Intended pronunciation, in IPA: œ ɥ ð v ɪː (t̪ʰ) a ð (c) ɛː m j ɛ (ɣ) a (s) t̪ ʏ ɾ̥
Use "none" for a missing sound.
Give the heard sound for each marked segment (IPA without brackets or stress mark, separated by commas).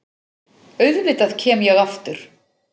t̪, cʰ, ɣ, f